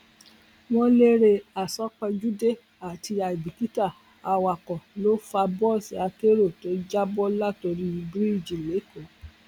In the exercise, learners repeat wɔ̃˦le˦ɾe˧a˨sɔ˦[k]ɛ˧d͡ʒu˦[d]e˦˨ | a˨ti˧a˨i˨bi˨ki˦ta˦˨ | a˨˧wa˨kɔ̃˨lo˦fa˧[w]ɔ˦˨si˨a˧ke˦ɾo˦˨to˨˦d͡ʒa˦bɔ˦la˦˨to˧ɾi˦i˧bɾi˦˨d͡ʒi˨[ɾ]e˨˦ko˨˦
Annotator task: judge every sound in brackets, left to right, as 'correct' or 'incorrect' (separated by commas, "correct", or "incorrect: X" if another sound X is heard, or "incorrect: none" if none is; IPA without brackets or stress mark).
incorrect: k͡p, correct, incorrect: b, incorrect: l